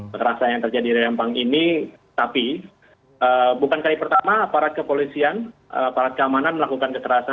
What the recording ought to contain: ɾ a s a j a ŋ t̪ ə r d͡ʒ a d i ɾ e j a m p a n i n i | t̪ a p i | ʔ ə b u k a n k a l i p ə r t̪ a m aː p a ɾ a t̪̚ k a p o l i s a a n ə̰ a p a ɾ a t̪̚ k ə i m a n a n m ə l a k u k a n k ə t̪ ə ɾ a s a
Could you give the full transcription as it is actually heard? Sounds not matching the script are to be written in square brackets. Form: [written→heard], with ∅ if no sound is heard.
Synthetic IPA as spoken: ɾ a s a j a ŋ t̪ ə r d͡ʒ a d i ɾ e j a m p a [n→ŋ] i n i | t̪ a p i | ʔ ə b u k a n k a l i p ə r t̪ a m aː p a ɾ a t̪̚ k [a→ə] p o l i s [a→i] a n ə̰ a p a ɾ a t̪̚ k ə [i→a] m a n a n m ə l a k u k a n k ə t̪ ə ɾ a s a